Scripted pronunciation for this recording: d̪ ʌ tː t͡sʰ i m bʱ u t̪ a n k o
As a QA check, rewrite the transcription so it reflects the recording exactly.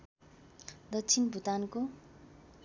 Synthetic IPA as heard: d̪ ʌ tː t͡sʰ i n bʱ u t̪ a n k o